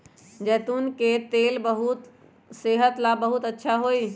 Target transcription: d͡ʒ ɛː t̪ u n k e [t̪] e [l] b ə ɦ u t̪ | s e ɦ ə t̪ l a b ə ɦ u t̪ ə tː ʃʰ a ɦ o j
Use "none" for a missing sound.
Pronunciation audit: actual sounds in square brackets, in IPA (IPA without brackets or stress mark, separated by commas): t̪, l